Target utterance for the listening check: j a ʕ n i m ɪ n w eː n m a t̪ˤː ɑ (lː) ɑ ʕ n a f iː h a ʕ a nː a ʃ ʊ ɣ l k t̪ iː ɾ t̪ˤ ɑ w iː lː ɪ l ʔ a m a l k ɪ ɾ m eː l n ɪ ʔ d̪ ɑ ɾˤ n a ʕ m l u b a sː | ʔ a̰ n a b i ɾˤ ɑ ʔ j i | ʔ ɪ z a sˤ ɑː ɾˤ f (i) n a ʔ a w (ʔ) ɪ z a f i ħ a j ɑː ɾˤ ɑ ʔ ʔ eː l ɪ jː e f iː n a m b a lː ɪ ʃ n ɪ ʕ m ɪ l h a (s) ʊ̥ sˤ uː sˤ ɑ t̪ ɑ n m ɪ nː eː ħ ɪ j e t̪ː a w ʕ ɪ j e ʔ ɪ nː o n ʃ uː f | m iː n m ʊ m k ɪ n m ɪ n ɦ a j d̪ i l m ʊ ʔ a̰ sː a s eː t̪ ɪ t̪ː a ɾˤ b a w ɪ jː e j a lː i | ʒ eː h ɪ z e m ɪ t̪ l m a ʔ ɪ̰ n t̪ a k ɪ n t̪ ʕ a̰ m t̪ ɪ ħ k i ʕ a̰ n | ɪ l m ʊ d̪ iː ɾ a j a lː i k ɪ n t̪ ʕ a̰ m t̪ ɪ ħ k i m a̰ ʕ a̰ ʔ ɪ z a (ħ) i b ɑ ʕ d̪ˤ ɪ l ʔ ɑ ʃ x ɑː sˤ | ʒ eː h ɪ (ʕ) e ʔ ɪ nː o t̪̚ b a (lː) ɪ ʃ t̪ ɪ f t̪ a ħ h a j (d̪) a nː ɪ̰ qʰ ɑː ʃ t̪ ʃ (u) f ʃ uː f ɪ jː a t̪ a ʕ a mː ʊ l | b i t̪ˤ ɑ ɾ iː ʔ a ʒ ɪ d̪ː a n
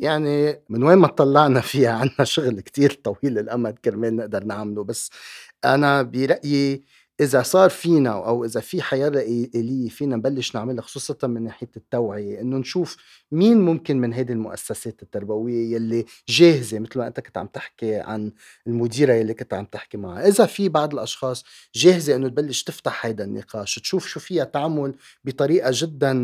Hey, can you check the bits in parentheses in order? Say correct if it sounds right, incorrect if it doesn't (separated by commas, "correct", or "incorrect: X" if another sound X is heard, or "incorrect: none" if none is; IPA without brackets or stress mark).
correct, incorrect: iː, correct, incorrect: x, incorrect: f, incorrect: z, correct, correct, incorrect: uː